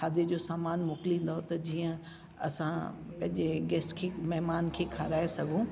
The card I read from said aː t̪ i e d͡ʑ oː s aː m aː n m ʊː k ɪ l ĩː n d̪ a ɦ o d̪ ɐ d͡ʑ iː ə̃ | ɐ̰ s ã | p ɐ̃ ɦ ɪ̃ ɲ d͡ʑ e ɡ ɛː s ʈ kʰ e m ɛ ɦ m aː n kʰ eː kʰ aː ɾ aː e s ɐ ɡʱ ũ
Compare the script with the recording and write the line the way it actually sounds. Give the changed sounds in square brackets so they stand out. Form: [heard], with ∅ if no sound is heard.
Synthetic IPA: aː [d̪] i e d͡ʑ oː s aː m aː n m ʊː k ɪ l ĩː n d̪ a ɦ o [t̪] ɐ d͡ʑ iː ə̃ | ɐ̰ s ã | p ɐ̃ ɦ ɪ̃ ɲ d͡ʑ e ɡ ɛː s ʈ kʰ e m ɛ ɦ m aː n kʰ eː kʰ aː ɾ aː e s ɐ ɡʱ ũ